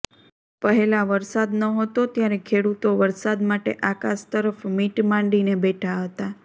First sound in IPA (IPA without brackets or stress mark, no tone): p